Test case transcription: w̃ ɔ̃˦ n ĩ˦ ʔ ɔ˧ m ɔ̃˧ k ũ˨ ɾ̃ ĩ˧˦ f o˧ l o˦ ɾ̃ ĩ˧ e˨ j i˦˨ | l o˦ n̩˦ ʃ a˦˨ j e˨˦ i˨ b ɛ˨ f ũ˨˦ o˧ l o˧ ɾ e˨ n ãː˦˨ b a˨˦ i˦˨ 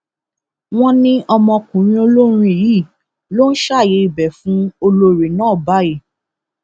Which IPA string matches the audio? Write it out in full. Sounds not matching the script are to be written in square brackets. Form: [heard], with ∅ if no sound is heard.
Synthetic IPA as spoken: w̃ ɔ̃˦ n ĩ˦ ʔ ɔ˧ m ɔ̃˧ k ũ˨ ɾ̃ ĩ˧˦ [∅] o˧ l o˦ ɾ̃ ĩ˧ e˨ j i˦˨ | l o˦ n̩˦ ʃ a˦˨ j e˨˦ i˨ b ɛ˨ f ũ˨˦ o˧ l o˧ ɾ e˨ n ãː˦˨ b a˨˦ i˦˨